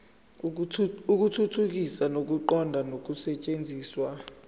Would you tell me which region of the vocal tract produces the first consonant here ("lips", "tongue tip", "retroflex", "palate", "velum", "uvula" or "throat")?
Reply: velum